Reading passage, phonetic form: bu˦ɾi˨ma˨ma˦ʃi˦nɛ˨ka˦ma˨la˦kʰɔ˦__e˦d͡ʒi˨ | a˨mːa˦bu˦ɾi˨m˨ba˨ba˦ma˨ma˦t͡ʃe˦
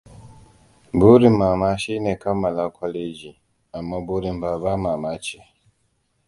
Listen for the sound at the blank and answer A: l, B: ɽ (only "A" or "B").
A